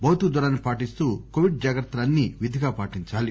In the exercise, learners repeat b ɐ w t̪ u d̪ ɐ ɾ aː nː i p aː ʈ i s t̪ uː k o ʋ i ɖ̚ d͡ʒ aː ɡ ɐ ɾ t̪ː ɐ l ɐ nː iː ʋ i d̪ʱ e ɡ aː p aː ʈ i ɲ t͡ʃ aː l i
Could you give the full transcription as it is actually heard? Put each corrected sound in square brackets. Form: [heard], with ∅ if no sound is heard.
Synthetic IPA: b ɐ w t̪ u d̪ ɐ ɾ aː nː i p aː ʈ i s t̪ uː k o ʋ i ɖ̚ d͡ʒ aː ɡ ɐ ɾ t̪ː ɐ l ɐ nː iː ʋ i d̪ʱ [i] ɡ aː p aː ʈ i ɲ t͡ʃ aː l i